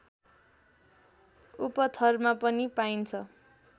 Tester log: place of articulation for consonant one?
labial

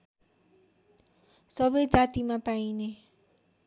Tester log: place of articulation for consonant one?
alveolar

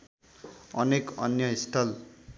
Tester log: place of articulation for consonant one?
alveolar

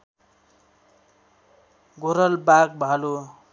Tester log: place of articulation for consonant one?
velar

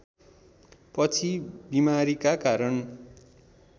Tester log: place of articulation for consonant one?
labial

